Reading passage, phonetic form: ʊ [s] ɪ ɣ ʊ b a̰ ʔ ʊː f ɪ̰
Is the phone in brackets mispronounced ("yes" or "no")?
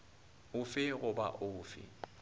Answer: yes